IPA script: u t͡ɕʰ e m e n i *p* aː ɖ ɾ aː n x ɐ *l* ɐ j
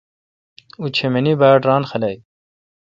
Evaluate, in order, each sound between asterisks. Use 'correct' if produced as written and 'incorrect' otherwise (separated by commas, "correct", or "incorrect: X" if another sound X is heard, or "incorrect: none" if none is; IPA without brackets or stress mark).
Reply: incorrect: b, correct